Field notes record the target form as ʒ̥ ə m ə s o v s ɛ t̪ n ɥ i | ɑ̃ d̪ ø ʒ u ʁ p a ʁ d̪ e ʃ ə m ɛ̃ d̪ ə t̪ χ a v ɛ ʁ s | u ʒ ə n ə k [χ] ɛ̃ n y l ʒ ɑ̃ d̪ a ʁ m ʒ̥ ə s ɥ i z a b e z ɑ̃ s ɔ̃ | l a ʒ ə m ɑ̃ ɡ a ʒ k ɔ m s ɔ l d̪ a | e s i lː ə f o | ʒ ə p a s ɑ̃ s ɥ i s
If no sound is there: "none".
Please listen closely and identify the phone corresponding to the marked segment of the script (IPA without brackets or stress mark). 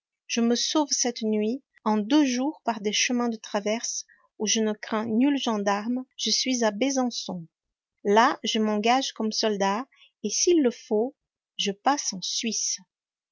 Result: χ